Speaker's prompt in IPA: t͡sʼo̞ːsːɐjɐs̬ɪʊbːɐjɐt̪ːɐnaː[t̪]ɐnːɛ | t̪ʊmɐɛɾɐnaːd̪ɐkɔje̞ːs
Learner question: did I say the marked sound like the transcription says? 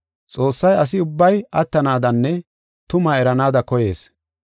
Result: no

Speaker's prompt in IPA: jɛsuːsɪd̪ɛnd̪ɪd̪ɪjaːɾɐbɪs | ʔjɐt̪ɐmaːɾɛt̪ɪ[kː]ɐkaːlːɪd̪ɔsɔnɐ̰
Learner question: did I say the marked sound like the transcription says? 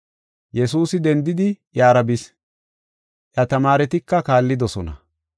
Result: yes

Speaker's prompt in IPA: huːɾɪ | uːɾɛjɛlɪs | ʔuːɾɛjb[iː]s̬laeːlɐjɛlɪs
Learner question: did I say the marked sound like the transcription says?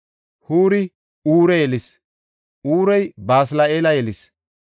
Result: no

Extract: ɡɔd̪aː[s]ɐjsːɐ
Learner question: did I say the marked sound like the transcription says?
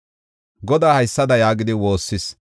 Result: no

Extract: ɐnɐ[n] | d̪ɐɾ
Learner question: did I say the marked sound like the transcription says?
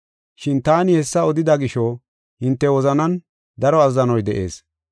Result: yes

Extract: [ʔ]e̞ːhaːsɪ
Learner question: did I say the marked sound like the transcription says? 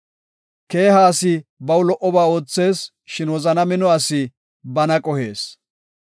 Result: no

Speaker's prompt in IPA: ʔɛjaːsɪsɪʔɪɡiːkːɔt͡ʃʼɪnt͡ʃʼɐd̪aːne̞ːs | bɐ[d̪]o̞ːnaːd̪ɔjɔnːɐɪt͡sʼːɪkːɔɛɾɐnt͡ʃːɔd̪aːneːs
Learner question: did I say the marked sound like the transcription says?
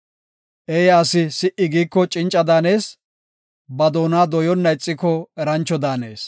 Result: yes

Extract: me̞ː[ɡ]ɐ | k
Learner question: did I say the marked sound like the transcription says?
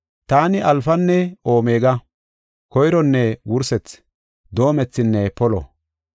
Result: yes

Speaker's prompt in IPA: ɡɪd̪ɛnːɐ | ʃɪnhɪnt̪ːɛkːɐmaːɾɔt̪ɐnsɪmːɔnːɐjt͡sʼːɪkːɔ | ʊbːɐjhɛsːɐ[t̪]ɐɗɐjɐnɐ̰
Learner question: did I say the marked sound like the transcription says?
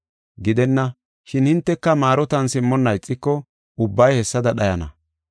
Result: no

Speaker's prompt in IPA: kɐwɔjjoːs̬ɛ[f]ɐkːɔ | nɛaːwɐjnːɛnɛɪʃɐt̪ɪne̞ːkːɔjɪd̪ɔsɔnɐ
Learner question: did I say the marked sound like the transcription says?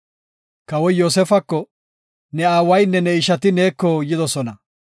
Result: yes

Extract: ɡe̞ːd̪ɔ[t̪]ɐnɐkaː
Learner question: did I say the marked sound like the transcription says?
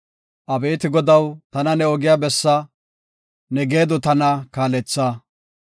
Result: yes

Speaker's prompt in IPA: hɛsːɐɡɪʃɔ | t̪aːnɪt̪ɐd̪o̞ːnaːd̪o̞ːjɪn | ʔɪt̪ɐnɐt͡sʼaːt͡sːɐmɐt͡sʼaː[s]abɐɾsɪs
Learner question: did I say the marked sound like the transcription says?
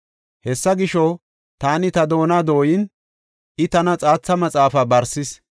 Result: no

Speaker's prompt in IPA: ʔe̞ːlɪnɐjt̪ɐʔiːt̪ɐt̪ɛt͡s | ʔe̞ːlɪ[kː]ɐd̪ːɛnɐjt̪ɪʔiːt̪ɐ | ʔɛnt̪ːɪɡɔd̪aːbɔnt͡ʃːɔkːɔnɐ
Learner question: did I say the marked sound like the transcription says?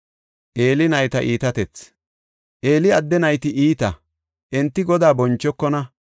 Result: no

